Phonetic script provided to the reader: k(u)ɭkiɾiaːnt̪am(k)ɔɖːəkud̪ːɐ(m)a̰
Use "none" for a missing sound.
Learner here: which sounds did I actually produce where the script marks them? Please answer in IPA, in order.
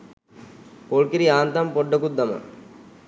o, p, m

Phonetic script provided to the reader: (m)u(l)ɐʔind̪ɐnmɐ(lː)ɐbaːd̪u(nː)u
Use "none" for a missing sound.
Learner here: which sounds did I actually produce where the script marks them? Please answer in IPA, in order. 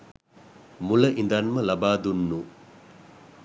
m, l, l, nː

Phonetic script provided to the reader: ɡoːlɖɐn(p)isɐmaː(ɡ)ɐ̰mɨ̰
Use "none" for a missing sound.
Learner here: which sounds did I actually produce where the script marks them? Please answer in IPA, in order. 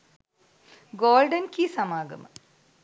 k, ɡ

